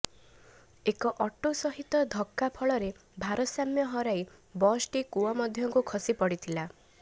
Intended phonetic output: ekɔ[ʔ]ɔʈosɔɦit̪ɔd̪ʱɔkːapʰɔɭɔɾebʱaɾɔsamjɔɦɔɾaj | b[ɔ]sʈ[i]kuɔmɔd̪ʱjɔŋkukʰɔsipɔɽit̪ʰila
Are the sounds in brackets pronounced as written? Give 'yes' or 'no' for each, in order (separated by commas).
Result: yes, yes, yes